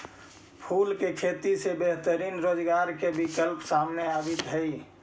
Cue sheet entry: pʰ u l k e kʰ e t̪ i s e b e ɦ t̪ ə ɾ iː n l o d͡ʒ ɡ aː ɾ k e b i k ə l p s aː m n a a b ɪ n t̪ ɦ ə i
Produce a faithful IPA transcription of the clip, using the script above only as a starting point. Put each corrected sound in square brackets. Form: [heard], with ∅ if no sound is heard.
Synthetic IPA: pʰ u l k e kʰ e t̪ i s e b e ɦ t̪ ə ɾ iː n [ɾ] o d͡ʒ ɡ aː ɾ k e b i k ə l p s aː m n [e] a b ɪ [∅] t̪ ɦ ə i